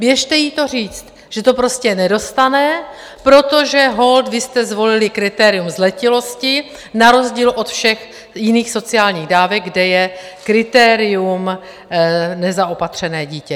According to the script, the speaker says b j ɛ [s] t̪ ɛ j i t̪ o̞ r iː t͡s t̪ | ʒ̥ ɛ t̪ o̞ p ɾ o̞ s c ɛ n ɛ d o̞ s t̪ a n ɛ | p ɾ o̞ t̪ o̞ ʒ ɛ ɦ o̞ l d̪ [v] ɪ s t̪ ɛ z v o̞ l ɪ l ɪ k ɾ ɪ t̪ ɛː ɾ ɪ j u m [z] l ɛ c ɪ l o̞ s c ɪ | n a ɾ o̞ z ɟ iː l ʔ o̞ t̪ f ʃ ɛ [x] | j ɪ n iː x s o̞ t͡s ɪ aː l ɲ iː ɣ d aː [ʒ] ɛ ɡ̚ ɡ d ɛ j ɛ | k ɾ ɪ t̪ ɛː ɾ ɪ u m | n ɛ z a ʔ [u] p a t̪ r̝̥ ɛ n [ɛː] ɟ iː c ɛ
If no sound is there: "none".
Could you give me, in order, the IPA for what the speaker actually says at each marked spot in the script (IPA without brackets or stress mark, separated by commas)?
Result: ʃ, v, z, x, v, o, ɛː